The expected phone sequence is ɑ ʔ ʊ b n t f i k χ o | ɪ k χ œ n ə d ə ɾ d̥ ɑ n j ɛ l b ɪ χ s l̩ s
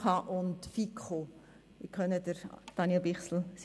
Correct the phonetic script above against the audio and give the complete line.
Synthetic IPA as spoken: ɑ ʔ ʊ n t f i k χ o | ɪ k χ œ n ə d ə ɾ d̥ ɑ n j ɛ l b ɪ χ s l̩ s